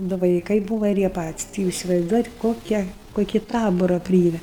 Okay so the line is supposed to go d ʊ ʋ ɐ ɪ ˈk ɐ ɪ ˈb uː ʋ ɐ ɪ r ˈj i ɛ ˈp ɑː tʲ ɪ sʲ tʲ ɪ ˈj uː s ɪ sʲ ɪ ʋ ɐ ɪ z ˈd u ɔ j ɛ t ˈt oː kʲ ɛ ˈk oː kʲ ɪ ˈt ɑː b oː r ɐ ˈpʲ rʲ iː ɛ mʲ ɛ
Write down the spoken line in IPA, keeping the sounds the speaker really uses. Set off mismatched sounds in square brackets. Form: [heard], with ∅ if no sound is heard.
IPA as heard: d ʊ ʋ ɐ ɪ ˈk ɐ ɪ ˈb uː ʋ ɐ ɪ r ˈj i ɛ ˈp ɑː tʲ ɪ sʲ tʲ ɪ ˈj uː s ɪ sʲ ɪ ʋ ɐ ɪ z ˈd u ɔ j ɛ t [ˈk] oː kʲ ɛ ˈk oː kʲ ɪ ˈt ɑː b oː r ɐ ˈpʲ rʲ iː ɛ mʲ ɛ